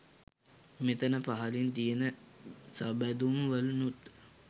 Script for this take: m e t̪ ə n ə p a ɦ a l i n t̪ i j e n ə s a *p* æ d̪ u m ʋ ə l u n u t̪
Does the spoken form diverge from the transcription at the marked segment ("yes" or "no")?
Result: yes